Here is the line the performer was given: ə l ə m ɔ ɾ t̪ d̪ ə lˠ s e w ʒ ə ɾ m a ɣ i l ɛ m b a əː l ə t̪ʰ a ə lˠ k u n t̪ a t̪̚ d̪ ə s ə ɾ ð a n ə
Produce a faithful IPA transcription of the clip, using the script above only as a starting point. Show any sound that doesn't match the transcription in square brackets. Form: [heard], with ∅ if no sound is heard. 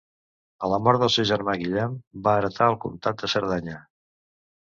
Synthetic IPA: ə l ə m ɔ ɾ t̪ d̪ ə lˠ s e w ʒ ə ɾ m a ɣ i [ʎ] ɛ m b a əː [ɾ] ə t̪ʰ a ə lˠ k u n t̪ a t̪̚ d̪ ə s ə ɾ ð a [ɲ] ə

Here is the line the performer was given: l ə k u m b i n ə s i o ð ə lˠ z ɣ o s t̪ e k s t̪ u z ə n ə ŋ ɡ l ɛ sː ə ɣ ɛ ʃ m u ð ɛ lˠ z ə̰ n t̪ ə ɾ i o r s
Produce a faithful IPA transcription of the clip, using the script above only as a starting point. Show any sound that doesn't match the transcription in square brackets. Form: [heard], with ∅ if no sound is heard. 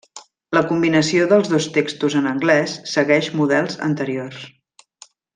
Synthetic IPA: l ə k u m b i n ə s i o ð ə lˠ z [ð] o s t̪ e k s t̪ u z ə n ə ŋ ɡ l ɛ sː ə ɣ ɛ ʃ m u ð ɛ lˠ z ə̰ n t̪ ə ɾ i o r s

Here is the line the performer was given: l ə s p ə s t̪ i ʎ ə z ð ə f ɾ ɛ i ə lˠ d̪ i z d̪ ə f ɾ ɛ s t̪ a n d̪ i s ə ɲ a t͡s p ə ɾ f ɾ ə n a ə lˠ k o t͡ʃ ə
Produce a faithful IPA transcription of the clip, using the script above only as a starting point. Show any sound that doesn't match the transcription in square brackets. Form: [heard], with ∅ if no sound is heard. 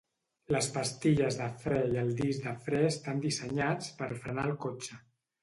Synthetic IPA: l ə s p ə s t̪ i ʎ ə z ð ə f ɾ ɛ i ə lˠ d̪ i z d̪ ə f ɾ ɛ s t̪ a n d̪ i s ə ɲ a t͡s p ə ɾ f ɾ ə n a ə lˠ k o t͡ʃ ə

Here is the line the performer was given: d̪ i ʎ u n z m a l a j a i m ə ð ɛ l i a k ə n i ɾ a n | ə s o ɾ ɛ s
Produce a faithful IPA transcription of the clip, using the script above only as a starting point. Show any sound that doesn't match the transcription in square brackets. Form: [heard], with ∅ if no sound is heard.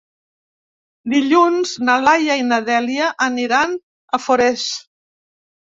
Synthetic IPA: d̪ i ʎ u n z [n] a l a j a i [n] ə ð ɛ l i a [ʔ] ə n i ɾ a n | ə [f] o ɾ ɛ s

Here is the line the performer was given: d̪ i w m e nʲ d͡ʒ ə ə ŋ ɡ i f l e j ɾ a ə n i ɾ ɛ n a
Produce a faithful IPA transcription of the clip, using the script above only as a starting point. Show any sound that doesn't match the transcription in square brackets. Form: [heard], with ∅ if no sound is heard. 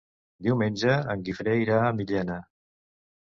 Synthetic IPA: d̪ i w m e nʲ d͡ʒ ə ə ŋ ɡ i f [ɾ] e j ɾ a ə [m] i [ʎ] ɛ n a

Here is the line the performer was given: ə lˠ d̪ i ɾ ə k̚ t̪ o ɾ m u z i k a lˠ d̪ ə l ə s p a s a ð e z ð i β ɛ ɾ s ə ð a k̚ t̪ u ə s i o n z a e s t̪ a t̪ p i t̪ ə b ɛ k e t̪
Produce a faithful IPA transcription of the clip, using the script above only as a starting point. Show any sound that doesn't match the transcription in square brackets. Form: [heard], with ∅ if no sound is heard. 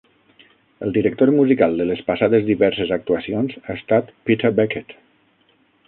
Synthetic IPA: ə lˠ d̪ i ɾ ə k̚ t̪ o ɾ m u z i k a lˠ d̪ ə l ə s p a s a ð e z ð i β ɛ ɾ s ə [z] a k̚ t̪ u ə s i o n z a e s t̪ a t̪ p i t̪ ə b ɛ k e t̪

